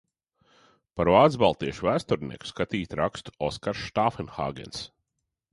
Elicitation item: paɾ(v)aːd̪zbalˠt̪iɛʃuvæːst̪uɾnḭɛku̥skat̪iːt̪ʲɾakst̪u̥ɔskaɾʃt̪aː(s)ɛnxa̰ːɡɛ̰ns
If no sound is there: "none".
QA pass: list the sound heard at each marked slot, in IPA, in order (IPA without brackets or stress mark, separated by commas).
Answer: v, f